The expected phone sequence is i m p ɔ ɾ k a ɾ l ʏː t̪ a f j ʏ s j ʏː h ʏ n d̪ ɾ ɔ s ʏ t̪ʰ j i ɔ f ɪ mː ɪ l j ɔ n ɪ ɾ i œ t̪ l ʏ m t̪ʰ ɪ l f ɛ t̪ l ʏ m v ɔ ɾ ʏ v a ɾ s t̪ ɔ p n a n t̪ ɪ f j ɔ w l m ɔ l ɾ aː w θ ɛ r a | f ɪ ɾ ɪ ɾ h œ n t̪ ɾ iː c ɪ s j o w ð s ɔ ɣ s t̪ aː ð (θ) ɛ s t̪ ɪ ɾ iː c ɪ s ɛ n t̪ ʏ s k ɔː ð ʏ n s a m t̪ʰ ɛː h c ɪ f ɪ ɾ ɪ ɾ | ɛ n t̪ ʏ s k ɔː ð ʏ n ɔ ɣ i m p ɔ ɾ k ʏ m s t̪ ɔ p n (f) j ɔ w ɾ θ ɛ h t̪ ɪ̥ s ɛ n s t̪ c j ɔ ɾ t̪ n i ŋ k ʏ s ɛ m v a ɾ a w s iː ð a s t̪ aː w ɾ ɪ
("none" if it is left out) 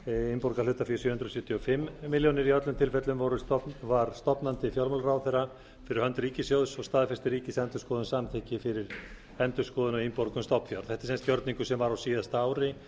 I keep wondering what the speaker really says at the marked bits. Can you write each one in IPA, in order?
f, f

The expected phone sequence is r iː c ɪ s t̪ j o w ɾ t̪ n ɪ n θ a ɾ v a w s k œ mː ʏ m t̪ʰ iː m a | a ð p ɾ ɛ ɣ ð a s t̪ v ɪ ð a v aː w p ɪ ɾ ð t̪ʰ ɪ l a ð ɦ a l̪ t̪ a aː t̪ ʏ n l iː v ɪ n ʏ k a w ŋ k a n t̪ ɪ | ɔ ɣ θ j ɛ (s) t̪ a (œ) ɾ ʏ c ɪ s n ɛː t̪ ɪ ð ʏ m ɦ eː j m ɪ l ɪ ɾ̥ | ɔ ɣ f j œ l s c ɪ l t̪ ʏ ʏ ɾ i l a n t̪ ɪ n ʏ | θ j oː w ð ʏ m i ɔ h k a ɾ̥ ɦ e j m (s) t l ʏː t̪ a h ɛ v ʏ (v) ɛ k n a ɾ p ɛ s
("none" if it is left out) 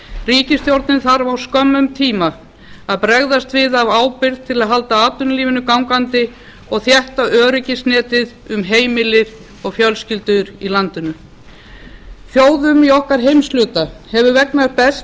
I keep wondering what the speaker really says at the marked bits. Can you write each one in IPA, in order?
h, œː, s, v

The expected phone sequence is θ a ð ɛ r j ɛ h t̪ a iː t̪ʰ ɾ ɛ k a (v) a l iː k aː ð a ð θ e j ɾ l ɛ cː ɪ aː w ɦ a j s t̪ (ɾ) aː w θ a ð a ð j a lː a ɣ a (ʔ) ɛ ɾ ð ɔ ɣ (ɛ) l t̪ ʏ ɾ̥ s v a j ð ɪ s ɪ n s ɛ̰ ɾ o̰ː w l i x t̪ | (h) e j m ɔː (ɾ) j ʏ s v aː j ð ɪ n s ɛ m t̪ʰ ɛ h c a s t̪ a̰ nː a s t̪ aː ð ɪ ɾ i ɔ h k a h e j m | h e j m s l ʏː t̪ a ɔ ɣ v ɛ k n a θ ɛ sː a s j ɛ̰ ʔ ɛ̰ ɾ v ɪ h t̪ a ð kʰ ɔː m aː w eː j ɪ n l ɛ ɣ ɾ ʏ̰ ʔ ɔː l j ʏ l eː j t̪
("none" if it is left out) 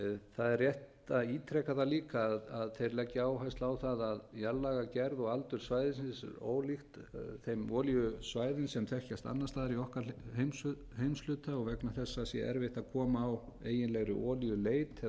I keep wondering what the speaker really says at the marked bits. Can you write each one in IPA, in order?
ð, l, c, a, θ, l

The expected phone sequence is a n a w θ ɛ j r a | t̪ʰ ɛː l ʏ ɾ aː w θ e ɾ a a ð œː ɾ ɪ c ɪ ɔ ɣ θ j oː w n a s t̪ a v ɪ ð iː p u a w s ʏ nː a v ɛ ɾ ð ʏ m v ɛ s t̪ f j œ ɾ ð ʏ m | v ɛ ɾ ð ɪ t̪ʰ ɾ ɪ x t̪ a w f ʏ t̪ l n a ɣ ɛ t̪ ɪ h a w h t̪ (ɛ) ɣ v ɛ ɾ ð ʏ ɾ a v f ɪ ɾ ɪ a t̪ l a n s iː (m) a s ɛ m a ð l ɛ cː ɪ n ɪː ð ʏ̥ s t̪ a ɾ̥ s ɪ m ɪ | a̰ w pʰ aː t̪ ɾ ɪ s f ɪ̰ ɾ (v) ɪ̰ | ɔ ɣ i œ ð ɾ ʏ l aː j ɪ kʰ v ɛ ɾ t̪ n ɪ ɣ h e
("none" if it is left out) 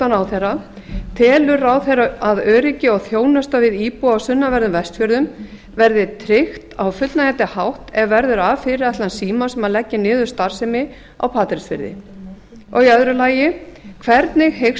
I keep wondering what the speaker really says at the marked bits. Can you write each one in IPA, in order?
ɛ, m, ð

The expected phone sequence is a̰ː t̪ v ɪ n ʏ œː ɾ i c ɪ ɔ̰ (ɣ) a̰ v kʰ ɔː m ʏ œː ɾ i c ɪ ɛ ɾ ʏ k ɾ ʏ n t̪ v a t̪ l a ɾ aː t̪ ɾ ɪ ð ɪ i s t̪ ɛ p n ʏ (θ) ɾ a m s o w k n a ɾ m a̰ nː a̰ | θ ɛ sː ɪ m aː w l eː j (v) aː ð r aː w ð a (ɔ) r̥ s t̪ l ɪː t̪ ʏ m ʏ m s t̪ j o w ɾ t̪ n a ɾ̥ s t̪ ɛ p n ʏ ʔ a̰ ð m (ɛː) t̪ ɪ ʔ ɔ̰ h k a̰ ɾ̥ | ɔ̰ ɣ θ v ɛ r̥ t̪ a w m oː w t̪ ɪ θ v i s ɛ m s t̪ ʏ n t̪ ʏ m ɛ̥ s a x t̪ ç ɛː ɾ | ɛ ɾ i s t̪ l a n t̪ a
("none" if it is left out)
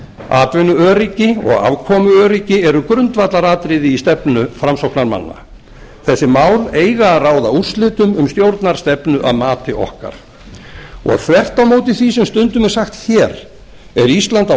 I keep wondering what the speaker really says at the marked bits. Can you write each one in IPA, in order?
ɣ, f, ɣ, u, aː

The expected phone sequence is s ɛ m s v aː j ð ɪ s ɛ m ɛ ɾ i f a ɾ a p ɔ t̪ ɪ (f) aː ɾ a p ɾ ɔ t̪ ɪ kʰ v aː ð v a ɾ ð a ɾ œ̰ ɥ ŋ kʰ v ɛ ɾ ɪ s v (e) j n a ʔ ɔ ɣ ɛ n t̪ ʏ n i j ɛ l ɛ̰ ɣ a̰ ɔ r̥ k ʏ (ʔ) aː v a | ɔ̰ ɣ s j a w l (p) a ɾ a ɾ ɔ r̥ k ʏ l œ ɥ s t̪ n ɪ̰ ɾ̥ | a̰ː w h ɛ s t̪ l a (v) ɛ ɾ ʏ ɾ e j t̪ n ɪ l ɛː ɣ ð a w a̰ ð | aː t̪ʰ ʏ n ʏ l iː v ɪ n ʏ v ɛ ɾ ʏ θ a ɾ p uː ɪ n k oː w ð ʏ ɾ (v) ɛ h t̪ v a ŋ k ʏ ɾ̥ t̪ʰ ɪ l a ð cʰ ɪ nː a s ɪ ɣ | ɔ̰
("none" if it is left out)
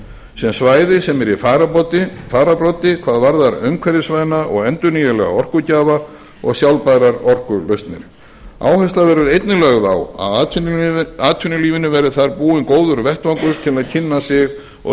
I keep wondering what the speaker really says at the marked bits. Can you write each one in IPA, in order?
f, a, c, p, v, v

